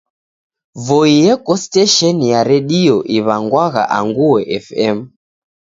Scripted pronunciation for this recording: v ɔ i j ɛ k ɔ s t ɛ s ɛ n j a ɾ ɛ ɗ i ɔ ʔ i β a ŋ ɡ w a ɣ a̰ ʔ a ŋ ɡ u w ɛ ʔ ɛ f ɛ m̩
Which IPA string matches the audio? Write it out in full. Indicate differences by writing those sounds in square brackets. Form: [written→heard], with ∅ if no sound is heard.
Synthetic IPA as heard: v ɔ i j ɛ k ɔ s t ɛ [s→ʃ] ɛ n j a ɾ ɛ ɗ i ɔ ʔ i β a ŋ ɡ w a ɣ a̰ ʔ a ŋ ɡ u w ɛ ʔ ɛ f ɛ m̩